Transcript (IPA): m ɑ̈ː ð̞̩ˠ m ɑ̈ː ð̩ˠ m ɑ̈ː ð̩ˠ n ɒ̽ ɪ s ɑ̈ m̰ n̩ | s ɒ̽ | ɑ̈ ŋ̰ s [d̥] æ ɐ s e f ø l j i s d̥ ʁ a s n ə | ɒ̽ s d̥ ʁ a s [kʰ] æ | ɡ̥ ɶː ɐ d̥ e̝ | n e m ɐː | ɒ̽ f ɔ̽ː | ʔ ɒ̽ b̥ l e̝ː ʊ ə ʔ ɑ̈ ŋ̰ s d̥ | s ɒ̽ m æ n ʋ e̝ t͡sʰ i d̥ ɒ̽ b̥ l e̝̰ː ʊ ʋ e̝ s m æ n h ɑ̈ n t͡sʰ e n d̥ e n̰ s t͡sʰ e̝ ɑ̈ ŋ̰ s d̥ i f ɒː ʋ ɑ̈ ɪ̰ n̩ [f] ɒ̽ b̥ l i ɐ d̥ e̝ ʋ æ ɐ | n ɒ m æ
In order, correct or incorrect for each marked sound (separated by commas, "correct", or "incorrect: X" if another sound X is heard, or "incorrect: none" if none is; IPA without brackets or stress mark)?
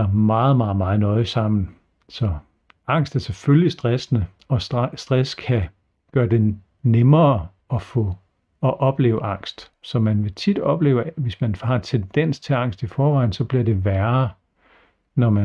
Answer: correct, correct, incorrect: s